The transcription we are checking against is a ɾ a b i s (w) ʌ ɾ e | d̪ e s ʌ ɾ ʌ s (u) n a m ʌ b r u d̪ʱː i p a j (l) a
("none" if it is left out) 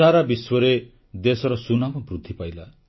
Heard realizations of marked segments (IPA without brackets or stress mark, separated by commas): w, u, l